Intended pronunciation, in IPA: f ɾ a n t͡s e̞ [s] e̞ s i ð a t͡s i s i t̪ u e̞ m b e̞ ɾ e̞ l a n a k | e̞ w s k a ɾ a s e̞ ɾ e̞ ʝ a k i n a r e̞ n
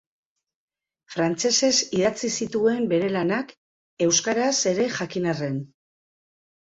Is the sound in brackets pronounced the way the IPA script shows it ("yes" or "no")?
yes